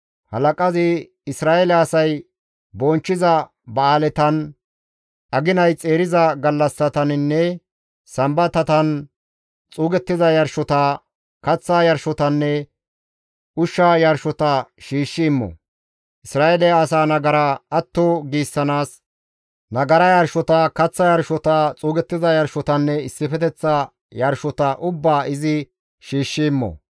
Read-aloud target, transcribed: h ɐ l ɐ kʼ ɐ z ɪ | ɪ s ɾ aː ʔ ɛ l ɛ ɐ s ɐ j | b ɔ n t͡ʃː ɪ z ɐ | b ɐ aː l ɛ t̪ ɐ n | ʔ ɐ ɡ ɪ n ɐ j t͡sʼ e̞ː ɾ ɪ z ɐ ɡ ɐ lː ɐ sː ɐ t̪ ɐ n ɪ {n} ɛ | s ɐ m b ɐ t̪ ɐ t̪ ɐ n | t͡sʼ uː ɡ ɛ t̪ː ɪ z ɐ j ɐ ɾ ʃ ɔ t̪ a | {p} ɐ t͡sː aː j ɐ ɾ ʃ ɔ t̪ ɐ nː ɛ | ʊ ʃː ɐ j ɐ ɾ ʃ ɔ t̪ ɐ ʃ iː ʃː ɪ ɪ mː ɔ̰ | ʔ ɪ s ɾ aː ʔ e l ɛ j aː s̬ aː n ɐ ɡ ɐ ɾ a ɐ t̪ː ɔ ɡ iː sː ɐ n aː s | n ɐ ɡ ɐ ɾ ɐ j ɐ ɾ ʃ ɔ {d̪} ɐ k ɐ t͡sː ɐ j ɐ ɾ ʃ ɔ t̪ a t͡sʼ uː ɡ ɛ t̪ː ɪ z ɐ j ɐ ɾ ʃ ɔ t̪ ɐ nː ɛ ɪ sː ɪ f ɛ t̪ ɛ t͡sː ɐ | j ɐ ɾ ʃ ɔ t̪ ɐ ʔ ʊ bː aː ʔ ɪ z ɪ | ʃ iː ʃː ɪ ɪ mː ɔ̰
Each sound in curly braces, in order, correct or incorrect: incorrect: nː, incorrect: k, incorrect: t̪

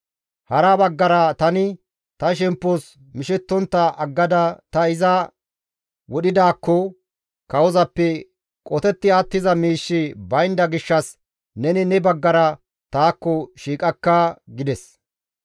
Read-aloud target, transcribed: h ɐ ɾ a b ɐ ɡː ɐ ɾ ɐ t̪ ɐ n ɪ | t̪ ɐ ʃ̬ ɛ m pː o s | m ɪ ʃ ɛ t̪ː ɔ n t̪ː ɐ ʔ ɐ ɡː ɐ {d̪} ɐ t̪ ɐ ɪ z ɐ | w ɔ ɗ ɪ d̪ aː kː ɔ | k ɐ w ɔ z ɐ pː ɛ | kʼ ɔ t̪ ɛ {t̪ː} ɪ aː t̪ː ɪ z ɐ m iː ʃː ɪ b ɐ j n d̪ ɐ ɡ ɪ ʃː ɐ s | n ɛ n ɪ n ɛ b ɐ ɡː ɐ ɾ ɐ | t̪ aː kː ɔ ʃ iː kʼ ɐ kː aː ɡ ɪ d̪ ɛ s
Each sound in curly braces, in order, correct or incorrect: correct, correct

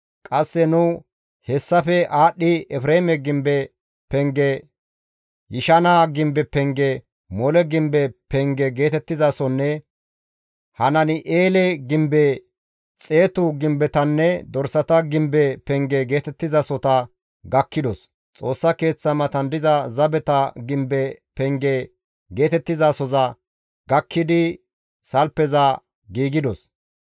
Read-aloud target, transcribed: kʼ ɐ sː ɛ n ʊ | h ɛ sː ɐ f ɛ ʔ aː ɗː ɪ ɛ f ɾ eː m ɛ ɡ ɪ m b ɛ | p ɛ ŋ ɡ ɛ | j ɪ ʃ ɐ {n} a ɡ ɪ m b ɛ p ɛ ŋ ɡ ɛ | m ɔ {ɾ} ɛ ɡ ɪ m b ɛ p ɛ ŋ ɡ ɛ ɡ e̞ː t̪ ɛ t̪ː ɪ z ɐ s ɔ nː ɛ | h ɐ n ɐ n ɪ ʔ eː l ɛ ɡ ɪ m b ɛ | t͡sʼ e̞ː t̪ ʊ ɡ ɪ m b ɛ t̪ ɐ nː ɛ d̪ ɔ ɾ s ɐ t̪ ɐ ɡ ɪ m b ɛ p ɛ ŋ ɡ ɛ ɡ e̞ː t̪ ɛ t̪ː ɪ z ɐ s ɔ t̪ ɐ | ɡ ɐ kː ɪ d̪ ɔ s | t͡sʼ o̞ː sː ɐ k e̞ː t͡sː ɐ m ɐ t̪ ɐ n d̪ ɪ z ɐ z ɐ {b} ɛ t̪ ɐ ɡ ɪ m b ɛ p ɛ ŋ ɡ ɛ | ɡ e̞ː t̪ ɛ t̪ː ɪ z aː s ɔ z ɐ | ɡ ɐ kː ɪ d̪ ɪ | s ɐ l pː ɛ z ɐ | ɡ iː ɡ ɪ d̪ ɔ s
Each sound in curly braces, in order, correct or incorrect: correct, incorrect: l, correct

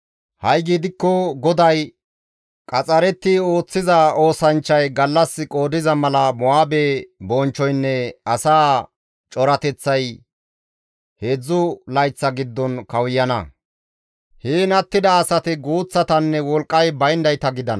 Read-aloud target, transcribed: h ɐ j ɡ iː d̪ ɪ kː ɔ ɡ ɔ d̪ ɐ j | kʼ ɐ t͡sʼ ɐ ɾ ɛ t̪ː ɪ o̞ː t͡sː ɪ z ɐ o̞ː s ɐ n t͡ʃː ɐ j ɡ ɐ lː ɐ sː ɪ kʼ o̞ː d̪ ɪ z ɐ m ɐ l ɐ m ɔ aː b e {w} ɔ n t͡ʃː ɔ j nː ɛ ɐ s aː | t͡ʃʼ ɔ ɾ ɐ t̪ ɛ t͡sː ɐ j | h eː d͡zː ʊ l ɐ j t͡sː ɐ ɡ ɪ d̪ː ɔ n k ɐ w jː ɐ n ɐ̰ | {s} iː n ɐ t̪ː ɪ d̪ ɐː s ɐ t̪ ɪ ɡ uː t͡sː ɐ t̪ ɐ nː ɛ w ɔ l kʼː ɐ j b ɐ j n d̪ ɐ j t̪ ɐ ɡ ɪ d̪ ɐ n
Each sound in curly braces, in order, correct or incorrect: incorrect: b, incorrect: h

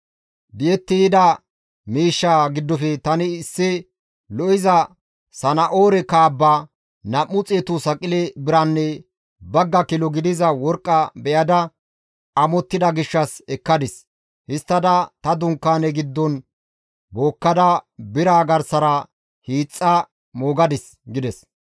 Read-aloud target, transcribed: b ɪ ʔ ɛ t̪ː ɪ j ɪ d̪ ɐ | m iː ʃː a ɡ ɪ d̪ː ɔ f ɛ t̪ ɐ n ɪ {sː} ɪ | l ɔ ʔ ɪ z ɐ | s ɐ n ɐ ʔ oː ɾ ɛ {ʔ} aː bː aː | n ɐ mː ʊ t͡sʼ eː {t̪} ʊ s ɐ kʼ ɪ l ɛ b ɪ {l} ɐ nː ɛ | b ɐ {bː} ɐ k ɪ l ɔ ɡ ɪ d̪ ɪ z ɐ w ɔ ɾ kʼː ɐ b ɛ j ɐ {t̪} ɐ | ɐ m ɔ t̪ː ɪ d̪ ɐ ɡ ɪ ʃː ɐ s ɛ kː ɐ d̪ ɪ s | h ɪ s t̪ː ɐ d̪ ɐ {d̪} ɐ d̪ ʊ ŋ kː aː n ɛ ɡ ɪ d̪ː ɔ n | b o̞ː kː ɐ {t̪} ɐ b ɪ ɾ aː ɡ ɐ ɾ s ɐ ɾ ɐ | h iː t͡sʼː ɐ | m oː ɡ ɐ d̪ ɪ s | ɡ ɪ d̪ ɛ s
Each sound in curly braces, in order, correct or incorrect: correct, incorrect: k, correct, incorrect: ɾ, incorrect: ɡː, incorrect: d̪, incorrect: t̪, incorrect: d̪

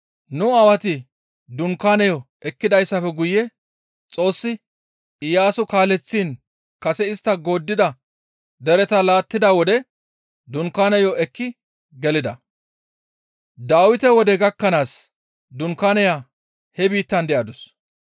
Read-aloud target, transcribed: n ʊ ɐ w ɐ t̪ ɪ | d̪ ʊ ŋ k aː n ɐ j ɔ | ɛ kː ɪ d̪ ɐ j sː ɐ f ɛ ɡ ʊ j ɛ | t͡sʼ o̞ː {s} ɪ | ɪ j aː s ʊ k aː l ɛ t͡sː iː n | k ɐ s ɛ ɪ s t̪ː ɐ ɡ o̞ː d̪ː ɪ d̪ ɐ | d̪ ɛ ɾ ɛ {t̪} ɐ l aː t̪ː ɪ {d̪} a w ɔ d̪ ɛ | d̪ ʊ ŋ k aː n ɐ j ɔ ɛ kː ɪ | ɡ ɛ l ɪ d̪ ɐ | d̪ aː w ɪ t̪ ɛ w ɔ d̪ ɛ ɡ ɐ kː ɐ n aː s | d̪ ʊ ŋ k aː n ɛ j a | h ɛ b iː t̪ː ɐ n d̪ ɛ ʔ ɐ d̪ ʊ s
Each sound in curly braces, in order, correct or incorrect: incorrect: sː, correct, correct

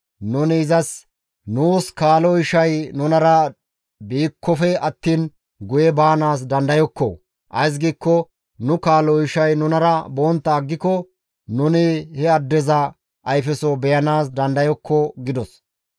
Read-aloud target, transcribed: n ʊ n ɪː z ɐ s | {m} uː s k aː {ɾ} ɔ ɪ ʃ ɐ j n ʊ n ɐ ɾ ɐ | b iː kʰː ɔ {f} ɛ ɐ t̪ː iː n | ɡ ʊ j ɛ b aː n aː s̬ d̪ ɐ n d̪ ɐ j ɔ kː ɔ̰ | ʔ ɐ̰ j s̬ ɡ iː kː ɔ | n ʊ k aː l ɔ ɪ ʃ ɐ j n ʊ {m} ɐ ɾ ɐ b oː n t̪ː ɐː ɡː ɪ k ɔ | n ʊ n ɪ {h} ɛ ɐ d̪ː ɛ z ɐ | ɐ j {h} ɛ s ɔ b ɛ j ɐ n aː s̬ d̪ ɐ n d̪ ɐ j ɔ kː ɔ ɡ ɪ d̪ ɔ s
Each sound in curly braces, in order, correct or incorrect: incorrect: n, incorrect: l, correct, incorrect: n, correct, incorrect: f

